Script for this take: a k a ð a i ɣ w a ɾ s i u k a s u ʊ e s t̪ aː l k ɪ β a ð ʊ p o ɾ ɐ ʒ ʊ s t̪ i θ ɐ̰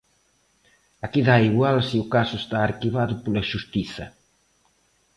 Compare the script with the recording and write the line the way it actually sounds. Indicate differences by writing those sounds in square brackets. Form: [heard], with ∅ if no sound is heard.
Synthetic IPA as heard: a k [i] ð a i ɣ w a [l] s i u k a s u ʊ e s t̪ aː [ɾ] k [i] β a ð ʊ p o [l] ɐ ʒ [u] s t̪ i θ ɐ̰

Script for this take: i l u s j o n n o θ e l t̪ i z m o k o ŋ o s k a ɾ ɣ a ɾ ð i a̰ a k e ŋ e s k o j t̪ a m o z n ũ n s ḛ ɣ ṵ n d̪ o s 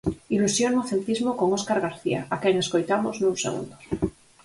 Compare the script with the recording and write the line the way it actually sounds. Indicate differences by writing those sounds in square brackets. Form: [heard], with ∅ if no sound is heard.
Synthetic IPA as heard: i l u s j o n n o θ e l t̪ i z m o k o ŋ o s k a ɾ ɣ a ɾ [θ] i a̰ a k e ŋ e s k o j t̪ a m o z n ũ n s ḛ ɣ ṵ n d̪ o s

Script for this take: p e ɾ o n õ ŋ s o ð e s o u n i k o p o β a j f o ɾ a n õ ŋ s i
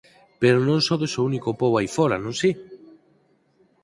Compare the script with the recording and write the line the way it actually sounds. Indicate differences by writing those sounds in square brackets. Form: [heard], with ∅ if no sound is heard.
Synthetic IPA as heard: p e ɾ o n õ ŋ s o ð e s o u n i k o p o [w] a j f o ɾ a n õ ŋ s i

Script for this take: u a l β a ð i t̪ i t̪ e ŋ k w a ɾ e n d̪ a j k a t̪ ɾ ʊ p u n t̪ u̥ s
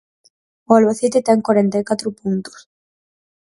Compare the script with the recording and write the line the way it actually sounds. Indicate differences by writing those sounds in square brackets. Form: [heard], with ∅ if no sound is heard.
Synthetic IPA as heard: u a l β a [θ] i t̪ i t̪ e ŋ k w a ɾ e n [t̪] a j k a t̪ ɾ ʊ p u n t̪ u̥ s

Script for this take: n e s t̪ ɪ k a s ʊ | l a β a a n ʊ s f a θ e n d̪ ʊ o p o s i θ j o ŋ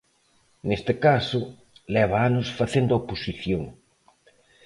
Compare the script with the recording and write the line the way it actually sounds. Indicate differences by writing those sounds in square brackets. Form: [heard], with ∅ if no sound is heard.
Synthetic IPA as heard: n e s t̪ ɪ k a s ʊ | l [ɛ] β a a n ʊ s f a θ e n d̪ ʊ o p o s i θ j o ŋ

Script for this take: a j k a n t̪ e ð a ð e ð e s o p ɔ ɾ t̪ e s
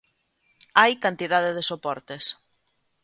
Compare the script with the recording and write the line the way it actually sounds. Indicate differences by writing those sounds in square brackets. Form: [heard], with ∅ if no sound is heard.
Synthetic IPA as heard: a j k a n t̪ [i] ð a ð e ð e s o p ɔ ɾ t̪ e s

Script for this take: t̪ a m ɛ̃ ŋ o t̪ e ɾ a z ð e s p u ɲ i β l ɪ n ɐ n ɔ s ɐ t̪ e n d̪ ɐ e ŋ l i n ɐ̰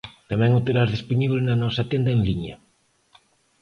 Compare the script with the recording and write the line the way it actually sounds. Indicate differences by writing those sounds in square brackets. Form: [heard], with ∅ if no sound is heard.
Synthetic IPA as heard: t̪ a m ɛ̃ ŋ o t̪ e ɾ a z ð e s p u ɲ i β l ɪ n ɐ n ɔ s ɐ t̪ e n d̪ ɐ e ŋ l i [ɲ] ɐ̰

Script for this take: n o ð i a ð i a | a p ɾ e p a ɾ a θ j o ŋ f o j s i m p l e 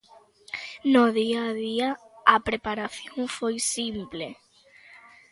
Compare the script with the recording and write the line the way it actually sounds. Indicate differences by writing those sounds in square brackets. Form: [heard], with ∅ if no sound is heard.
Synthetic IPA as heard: n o ð i a ð i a | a p ɾ e p a ɾ a θ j o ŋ f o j s i m p l e

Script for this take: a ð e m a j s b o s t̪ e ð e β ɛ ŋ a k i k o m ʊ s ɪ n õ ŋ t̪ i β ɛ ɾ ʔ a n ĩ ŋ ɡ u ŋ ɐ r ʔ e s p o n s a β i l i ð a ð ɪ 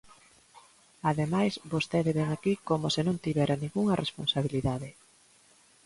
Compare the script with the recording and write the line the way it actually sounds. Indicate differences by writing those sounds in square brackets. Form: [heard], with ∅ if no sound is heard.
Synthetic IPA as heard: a ð e m a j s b o s t̪ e ð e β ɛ ŋ a k i k o m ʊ s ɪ n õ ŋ t̪ i β ɛ ɾ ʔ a n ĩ ŋ ɡ u ŋ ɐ r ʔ e s p o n s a β i l i ð a ð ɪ

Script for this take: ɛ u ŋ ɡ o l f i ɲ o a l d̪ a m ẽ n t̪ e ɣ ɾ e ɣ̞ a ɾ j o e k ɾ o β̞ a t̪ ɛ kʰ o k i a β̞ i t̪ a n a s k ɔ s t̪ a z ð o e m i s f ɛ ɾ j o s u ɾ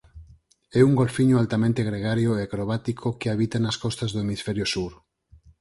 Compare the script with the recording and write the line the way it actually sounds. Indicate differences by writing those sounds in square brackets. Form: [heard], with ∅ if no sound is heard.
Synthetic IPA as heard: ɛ u ŋ ɡ o l f i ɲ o a l [t̪] a m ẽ n t̪ e ɣ ɾ e ɣ̞ a ɾ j o e k ɾ o β̞ a t̪ [i] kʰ o k [e] a β̞ i t̪ a n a s k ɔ s t̪ a z ð o e m i s f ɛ ɾ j o s u ɾ

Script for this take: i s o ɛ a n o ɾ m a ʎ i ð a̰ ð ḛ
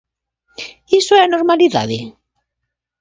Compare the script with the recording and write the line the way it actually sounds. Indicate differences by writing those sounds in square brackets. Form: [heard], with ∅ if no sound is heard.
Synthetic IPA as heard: i s o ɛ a n o ɾ m a [l] i ð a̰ ð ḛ

